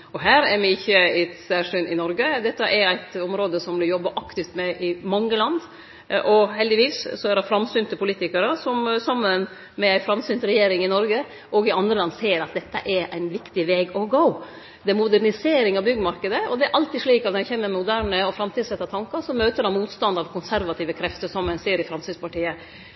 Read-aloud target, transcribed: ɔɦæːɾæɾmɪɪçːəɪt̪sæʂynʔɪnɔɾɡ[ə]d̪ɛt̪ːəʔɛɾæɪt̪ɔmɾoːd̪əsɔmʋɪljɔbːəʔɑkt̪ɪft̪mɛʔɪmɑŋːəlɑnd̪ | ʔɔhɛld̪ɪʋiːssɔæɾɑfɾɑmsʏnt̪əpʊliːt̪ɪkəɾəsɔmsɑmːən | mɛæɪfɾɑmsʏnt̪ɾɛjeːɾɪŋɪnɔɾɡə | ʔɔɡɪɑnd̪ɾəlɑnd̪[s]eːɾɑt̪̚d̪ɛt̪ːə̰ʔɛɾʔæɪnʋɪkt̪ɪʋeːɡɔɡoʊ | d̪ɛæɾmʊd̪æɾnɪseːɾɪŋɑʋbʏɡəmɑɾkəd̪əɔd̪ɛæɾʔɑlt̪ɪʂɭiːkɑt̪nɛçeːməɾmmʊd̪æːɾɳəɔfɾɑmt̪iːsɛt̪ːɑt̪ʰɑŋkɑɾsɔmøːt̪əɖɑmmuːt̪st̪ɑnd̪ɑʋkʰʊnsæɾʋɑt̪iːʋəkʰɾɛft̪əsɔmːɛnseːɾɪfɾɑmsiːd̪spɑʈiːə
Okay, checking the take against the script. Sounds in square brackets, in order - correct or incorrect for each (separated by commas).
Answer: correct, correct